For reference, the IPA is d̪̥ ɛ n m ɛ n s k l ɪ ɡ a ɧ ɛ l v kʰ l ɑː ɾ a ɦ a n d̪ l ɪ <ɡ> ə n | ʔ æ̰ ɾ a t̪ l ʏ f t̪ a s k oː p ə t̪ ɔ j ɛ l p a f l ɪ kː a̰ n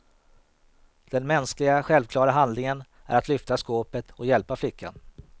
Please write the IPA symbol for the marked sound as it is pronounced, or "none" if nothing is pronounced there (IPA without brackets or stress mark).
ŋ